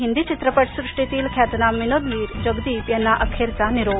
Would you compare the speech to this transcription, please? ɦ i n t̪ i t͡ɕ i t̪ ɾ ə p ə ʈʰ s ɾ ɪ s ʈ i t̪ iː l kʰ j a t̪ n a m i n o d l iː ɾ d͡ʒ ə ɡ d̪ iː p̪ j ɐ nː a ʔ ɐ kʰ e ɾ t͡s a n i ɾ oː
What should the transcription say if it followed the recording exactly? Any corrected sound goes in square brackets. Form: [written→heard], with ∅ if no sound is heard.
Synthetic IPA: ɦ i n [t̪→d̪] i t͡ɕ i t̪ ɾ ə p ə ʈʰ s ɾ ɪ [s→ʂ] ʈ i t̪ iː l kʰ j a t̪ n a m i n o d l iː ɾ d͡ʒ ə ɡ d̪ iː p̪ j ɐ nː a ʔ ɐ kʰ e ɾ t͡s a n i ɾ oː